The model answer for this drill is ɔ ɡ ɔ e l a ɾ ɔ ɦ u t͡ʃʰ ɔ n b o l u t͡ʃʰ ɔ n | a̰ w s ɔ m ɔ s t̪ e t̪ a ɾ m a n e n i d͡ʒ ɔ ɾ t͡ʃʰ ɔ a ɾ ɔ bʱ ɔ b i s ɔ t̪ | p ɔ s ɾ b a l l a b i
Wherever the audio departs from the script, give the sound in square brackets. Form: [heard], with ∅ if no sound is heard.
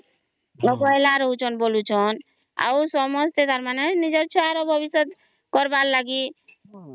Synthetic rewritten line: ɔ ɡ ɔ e l a ɾ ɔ ɦ u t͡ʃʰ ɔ n b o l u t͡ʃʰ ɔ n | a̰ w s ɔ m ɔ s t̪ e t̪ a ɾ m a n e n i d͡ʒ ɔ ɾ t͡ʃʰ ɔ a ɾ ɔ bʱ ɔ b i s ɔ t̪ | [k] ɔ [∅] ɾ b a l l a [ɡ] i